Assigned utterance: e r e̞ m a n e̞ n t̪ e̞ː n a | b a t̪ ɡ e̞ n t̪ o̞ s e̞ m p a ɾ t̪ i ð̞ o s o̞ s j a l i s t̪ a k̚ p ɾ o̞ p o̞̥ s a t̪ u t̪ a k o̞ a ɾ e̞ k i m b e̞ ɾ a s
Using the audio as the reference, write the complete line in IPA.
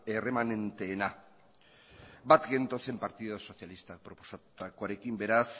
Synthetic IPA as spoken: e r e̞ m a n e̞ n t̪ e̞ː n a | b a t̪ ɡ e̞ n t̪ o̞ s e̞ m p a ɾ t̪ i ð̞ o s o̞ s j a l i s t̪ a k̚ p ɾ o̞ p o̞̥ s a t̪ u t̪ a k o̞ a ɾ e̞ k i m b e̞ ɾ a s